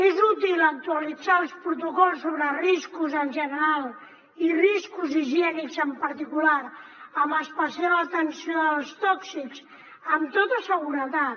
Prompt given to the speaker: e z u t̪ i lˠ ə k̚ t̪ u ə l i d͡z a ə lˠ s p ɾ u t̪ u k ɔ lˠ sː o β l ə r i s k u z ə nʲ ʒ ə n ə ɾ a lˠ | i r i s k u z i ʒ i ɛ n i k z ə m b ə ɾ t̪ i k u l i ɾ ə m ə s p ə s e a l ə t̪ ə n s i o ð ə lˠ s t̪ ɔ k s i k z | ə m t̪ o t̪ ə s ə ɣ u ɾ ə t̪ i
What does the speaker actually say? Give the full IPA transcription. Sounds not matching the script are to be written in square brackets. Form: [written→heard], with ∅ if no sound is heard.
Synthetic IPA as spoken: e z u t̪ i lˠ ə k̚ t̪ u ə l i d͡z a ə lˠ s p ɾ u t̪ u k ɔ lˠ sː o β [l→ɾ] ə r i s k u z ə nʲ ʒ ə n ə ɾ a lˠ | i r i s k u z i ʒ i ɛ n i k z ə m [b→p] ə ɾ t̪ i k u l [i→a] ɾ ə m ə s p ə s [e→i] a l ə t̪ ə n s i o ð ə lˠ s t̪ ɔ k s i k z | ə m t̪ o t̪ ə s ə ɣ u ɾ ə t̪ [i→a]

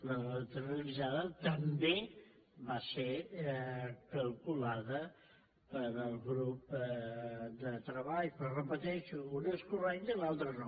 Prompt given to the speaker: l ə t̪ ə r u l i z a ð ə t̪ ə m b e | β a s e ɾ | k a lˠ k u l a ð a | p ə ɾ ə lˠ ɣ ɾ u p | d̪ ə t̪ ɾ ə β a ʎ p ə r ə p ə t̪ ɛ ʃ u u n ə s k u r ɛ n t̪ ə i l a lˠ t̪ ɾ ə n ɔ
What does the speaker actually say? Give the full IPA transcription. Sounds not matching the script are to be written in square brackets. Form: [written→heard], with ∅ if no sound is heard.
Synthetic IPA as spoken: l ə t̪ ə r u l i z a ð ə t̪ ə m b e | β a s e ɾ | k [a→ə] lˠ k u l a ð [a→ə] | p ə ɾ ə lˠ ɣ ɾ u p | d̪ ə t̪ ɾ ə β a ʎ p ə r ə p ə t̪ ɛ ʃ u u n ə s k u r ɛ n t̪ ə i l a lˠ t̪ ɾ ə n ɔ

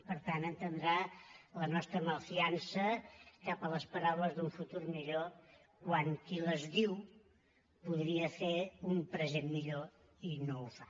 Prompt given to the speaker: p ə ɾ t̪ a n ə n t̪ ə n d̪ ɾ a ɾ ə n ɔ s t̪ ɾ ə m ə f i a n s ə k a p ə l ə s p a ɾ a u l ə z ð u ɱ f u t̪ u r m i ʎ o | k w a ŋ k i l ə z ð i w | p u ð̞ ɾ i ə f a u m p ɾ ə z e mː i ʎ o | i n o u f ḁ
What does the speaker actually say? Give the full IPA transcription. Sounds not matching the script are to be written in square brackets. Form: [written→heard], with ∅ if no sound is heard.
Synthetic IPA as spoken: p ə ɾ t̪ a n ə n t̪ ə n d̪ ɾ a [ɾ→l] ə n ɔ s t̪ ɾ ə m ə f i a n s ə k a p ə l ə s p [a→ə] ɾ a [u→w] l ə z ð u ɱ f u t̪ u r m i ʎ o | k w a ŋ k i l ə z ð i w | p u ð̞ ɾ i ə f [a→e] u m p ɾ ə z e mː i ʎ o | i n o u f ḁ

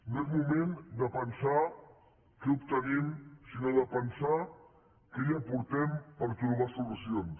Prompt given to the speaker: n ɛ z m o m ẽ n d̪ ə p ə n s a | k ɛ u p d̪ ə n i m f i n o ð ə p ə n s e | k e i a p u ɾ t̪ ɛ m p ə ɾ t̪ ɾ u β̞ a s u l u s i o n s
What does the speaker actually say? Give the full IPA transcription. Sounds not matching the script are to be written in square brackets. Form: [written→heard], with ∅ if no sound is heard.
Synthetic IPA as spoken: n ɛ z m [o→u] m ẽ n d̪ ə p ə n s a | k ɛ u p [d̪→t̪] ə n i m [f→s] i n o ð ə p ə n s [e→a] | k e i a p u ɾ t̪ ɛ m p ə ɾ t̪ ɾ u β̞ a s u l u s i o n s

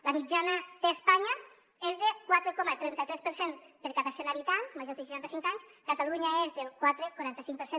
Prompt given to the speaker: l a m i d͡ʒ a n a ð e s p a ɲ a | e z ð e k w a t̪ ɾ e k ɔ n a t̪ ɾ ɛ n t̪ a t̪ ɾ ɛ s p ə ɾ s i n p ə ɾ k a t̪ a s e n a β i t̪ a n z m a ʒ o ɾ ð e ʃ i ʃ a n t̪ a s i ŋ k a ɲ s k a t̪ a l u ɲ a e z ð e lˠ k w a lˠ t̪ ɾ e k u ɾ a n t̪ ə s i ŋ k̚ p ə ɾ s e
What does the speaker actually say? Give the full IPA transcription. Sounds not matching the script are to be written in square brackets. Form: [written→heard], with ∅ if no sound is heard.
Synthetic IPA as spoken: l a m i d͡ʒ a n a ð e s p a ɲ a | e z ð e k w a t̪ ɾ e k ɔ [n→m] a t̪ ɾ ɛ n t̪ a t̪ ɾ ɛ s p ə ɾ s [i→e] n p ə ɾ k a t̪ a s e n a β i t̪ a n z m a ʒ o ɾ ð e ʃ i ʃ a n t̪ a s i ŋ k a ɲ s k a t̪ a l u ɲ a e z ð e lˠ k w a [lˠ→∅] t̪ ɾ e k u ɾ a n t̪ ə s i ŋ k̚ p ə ɾ s e

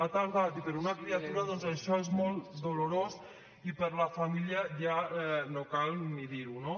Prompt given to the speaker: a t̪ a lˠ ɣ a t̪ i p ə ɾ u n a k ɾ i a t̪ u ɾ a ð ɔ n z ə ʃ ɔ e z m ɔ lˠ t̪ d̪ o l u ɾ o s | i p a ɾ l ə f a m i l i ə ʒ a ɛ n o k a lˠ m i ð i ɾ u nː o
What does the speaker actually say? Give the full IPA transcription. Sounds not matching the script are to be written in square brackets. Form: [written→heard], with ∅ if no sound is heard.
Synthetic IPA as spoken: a t̪ a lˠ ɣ a t̪ i p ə ɾ u n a k ɾ i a t̪ u ɾ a ð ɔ n z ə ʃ ɔ e z m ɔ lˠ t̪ d̪ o l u ɾ o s | i p [a→ə] ɾ l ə f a m i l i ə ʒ a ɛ n o k a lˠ m i ð i ɾ u [nː→n] o

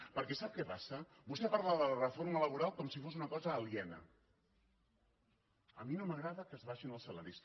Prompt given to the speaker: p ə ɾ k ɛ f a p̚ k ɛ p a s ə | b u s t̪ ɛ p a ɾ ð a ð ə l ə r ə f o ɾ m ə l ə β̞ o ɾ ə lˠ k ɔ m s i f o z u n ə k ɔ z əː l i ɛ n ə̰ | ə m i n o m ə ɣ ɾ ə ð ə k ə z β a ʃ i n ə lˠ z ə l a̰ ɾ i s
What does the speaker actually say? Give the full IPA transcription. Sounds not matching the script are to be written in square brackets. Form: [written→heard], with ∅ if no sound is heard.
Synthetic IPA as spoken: p ə ɾ k ɛ [f→s] a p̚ k ɛ p a s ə | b u s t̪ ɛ p a ɾ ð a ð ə l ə r ə f o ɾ m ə l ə β̞ [o→u] ɾ [ə→a] lˠ k ɔ m s i f o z u n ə k ɔ z əː l i ɛ n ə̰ | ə m i n o m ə ɣ ɾ [ə→a] ð ə k ə z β a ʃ i n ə lˠ [z→s] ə l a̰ ɾ i s

